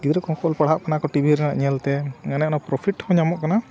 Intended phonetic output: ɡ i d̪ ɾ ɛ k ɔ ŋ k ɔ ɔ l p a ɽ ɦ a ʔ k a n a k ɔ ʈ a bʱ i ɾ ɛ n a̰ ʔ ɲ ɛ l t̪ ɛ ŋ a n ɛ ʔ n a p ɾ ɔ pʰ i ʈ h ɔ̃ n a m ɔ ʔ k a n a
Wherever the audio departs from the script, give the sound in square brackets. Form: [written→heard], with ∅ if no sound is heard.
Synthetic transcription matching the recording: ɡ i d̪ ɾ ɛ k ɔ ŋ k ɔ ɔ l p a ɽ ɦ a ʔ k a n a k ɔ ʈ [a→i] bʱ i ɾ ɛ n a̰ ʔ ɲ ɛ l t̪ ɛ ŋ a n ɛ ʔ n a p ɾ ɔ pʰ i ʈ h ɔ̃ [n→ɲ] a m ɔ ʔ k a n a